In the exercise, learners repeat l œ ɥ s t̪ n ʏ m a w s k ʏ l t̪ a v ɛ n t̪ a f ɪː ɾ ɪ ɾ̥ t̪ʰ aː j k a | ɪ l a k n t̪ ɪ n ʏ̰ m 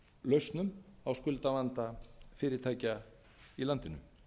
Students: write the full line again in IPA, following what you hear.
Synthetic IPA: l œ ɥ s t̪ n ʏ m a w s k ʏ l t̪ a v a n t̪ a f ɪː ɾ ɪ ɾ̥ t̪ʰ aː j c a | i l a n t̪ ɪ n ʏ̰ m